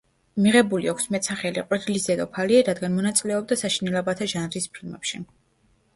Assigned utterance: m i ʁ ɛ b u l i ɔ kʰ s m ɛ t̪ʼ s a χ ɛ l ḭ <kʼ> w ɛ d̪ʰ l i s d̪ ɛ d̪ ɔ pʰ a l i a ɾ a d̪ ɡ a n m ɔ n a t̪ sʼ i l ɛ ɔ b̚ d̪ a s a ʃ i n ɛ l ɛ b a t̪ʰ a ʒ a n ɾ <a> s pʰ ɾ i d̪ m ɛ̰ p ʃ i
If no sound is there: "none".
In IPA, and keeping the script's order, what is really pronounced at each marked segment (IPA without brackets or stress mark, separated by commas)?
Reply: qʼ, i